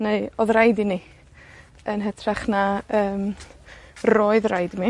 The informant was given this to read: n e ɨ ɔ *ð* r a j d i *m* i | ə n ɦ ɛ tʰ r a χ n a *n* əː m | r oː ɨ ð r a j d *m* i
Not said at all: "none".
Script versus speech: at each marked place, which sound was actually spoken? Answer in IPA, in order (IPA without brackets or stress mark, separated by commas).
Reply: ð, n, none, m